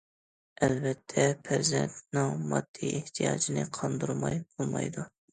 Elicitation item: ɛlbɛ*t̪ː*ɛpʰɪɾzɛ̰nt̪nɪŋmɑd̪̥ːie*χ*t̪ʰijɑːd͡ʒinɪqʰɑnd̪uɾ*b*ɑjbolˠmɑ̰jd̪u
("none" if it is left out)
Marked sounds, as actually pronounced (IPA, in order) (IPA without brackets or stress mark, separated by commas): t̪ʰː, h, m